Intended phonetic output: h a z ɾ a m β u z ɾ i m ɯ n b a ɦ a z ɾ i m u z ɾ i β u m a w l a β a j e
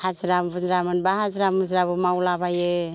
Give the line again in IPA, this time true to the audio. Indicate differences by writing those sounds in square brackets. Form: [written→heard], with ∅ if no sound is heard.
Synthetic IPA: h a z ɾ a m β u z ɾ [i→a] m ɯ n b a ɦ a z ɾ [i→a] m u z ɾ [i→a] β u m a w l a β a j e